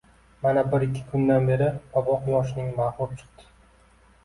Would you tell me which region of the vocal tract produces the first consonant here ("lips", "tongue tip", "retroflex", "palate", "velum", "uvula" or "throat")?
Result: lips